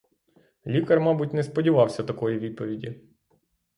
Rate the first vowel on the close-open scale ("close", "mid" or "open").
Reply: close